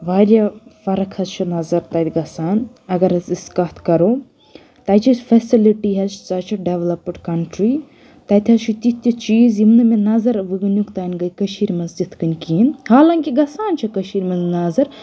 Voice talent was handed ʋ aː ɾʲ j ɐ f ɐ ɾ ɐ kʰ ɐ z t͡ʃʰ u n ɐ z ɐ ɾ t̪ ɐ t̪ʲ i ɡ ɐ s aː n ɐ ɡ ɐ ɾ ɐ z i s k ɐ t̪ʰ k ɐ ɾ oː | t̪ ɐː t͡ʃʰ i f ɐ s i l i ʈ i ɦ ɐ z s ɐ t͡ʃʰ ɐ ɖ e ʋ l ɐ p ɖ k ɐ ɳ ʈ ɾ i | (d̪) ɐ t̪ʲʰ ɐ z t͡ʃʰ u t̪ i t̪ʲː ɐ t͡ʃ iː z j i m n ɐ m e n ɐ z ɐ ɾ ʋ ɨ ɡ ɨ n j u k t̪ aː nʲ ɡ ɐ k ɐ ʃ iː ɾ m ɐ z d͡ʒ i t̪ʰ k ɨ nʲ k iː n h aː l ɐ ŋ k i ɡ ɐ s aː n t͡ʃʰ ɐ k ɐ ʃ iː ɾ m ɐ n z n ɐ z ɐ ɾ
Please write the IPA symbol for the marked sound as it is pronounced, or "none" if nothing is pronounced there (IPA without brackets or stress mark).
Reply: t̪